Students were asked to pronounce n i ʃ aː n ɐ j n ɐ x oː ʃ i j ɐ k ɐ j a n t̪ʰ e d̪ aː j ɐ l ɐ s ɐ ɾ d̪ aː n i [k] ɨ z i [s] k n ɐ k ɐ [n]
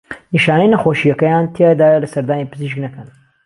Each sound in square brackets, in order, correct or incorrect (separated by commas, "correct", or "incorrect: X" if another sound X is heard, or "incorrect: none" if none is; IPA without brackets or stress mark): incorrect: p, incorrect: ʃ, correct